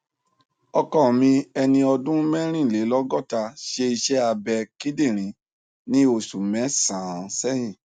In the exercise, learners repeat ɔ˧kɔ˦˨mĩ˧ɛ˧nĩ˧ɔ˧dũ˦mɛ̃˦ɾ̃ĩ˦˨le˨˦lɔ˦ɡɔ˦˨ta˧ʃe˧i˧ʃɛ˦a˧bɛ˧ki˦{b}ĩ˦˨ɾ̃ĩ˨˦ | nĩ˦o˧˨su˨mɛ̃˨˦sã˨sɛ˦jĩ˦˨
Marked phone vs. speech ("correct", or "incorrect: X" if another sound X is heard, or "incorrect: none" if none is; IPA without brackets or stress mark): incorrect: d